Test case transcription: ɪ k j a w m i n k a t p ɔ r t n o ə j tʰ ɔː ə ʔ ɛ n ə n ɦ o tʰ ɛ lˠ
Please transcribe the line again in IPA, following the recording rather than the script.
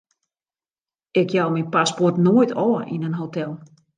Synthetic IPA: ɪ k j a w m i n p a s p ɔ r t n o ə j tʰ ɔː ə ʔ i n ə n ɦ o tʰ ɛ lˠ